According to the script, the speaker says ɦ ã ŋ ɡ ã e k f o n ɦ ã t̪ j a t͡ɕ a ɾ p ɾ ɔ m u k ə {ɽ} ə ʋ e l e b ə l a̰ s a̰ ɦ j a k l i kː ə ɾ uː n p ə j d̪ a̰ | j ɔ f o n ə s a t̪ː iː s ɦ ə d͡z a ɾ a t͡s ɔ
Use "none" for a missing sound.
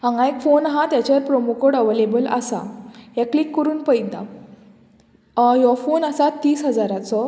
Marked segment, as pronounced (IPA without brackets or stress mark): ɽ